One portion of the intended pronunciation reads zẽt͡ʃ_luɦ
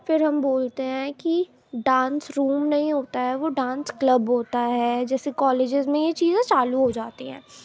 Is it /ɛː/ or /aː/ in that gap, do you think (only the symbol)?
aː